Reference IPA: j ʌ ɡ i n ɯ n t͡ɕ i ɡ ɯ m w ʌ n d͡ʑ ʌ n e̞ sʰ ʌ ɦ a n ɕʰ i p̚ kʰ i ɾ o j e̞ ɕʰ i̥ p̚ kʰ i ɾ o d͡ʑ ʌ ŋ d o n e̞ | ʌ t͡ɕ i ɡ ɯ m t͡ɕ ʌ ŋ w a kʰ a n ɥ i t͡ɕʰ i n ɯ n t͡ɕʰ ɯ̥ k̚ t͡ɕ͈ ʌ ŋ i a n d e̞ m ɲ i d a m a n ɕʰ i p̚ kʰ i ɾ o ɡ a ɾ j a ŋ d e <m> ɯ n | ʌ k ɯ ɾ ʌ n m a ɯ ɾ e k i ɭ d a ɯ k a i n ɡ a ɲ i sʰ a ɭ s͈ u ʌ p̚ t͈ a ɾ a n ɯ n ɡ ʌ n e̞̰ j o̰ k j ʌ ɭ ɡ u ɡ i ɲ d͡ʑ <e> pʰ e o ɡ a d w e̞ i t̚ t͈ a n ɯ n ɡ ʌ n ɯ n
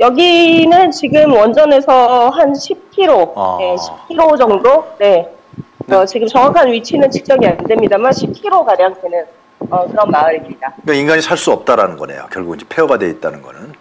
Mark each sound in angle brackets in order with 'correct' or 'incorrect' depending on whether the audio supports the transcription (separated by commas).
incorrect, correct